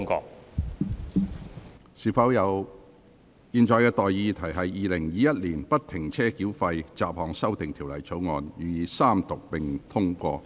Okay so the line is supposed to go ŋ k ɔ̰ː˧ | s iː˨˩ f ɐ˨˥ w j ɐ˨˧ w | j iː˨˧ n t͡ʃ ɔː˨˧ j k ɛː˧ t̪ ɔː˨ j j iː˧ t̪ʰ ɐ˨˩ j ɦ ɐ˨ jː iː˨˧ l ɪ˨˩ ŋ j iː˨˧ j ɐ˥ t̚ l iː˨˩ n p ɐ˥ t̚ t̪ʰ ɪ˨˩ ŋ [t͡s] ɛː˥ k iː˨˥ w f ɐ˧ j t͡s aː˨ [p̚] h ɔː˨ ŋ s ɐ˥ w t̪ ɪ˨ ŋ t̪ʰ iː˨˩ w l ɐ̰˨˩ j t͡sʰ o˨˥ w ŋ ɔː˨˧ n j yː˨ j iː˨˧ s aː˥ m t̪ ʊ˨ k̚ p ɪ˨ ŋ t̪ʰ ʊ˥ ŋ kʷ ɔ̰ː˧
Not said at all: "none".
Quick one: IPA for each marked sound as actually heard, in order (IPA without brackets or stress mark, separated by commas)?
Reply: t͡sʰ, p̚